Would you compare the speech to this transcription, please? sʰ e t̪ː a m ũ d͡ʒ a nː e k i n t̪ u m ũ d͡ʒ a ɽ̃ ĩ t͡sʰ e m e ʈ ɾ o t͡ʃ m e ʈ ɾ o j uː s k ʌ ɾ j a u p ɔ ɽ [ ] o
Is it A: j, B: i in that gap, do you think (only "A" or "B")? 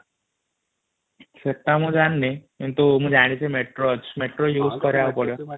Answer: A